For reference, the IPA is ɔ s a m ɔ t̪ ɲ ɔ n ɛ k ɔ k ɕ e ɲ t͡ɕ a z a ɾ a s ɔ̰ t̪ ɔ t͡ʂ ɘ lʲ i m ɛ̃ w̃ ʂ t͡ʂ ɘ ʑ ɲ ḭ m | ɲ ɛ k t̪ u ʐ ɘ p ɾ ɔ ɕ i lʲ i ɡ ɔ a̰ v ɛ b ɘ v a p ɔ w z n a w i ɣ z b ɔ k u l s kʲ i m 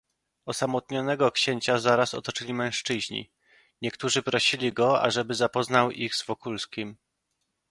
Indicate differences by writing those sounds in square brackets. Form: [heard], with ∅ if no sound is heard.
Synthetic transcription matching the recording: ɔ s a m ɔ t̪ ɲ ɔ n ɛ [ɡ] ɔ k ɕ e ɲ t͡ɕ a z a ɾ a s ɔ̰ t̪ ɔ t͡ʂ ɘ lʲ i m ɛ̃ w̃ ʂ t͡ʂ ɘ ʑ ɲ ḭ [∅] | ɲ ɛ k t̪ u ʐ ɘ p ɾ ɔ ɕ i lʲ i ɡ ɔ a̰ [ʐ] ɛ b ɘ [z] a p ɔ [∅] z n a w i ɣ z [v] ɔ k u l s kʲ i m